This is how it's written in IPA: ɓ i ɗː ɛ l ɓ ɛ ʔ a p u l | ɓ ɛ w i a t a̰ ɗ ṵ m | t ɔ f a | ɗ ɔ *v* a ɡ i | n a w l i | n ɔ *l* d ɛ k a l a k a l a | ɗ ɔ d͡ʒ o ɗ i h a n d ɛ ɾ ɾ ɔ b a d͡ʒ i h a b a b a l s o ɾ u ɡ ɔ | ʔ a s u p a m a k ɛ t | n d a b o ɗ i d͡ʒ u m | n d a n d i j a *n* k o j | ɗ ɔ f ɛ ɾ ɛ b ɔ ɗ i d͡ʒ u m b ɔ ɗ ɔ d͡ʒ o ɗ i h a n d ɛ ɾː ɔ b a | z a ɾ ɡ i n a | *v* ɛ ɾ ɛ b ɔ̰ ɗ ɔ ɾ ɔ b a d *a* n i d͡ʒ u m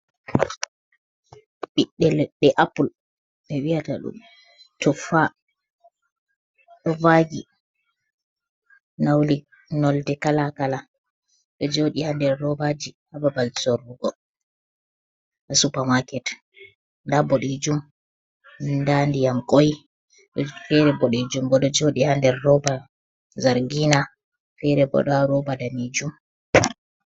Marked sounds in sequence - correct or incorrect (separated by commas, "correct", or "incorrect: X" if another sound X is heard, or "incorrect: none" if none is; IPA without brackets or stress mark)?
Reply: correct, correct, incorrect: m, incorrect: f, correct